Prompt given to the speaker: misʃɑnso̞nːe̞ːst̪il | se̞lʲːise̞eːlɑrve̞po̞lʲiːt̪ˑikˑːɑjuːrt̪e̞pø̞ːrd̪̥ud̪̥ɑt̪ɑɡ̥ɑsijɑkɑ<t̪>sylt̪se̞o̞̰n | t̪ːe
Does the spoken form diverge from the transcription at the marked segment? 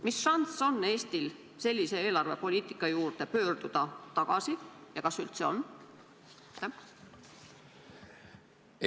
yes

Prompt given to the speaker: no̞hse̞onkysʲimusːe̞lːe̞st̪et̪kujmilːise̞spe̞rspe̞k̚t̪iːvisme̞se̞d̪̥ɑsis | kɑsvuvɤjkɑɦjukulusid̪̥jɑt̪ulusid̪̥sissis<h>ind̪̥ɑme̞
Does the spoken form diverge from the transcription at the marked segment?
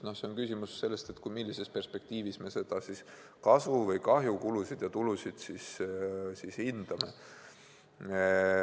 no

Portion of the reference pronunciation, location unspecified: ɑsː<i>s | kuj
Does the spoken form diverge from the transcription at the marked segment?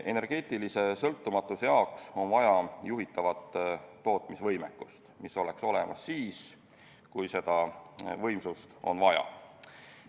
yes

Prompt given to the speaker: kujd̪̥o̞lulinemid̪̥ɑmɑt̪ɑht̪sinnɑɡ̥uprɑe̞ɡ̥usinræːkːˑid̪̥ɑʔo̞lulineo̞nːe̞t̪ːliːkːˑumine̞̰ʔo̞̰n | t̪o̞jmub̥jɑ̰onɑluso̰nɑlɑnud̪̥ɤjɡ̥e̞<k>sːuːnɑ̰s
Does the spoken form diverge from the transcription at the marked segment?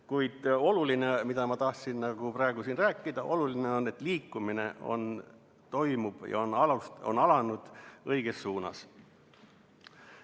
yes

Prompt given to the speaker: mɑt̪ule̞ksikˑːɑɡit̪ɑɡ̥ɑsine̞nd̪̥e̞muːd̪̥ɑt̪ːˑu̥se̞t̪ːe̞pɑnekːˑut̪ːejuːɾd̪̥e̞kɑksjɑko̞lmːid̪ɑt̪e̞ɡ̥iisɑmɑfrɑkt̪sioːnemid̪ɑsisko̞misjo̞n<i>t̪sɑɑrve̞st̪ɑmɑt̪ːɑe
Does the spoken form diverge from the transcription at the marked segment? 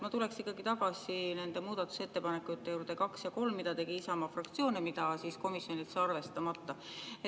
no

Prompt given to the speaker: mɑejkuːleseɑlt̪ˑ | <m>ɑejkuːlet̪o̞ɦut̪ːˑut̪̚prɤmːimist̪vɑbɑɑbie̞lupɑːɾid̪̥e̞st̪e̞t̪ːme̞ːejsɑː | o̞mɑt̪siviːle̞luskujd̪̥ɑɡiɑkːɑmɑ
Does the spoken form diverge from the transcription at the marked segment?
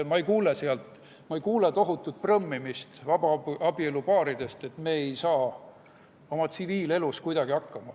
no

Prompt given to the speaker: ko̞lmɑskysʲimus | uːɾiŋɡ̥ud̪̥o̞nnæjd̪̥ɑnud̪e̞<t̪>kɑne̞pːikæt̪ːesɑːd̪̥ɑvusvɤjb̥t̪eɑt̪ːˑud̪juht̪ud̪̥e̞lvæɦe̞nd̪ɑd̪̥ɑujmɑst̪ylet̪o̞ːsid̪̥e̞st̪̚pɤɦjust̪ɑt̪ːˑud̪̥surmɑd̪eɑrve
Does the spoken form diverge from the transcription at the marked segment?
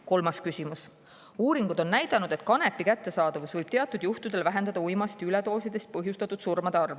no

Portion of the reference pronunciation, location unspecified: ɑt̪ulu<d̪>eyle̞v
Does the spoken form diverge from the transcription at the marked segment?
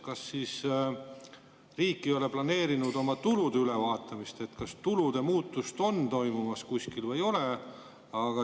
no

